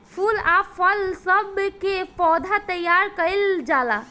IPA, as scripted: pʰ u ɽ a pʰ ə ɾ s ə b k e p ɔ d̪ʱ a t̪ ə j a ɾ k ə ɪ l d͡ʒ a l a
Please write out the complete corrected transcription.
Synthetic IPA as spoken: pʰ u l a pʰ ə l s ə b k e p ɔ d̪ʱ a t̪ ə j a ɾ k ə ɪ l d͡ʒ a l a